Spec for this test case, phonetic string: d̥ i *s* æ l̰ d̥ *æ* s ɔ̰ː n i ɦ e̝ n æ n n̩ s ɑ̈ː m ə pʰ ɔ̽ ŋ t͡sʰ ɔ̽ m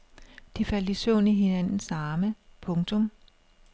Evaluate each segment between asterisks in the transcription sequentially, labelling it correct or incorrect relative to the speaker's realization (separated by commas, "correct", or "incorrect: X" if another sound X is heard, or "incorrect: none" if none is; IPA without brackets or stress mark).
incorrect: f, incorrect: i